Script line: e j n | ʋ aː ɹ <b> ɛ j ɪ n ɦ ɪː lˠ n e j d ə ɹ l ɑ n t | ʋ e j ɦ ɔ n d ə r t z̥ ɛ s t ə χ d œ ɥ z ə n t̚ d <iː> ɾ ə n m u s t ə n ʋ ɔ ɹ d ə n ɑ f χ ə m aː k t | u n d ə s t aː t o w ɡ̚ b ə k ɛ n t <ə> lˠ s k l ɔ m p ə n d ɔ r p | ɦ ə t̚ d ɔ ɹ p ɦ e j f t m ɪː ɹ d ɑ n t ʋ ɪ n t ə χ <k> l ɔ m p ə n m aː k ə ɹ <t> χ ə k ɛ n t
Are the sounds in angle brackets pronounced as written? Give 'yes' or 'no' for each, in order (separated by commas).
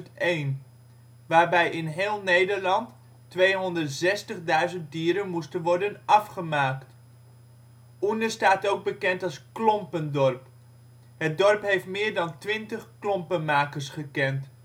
yes, yes, no, yes, no